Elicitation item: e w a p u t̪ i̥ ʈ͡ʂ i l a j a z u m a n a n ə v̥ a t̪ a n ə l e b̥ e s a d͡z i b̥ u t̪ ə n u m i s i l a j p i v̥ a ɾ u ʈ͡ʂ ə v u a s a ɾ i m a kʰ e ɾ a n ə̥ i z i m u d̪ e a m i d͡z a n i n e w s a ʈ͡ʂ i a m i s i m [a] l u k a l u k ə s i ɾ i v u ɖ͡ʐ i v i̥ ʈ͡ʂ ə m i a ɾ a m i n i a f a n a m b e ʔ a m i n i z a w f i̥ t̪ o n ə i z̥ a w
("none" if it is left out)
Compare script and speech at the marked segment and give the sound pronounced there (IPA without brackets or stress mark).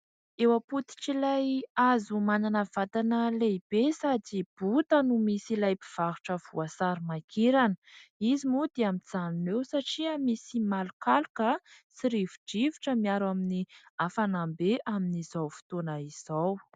a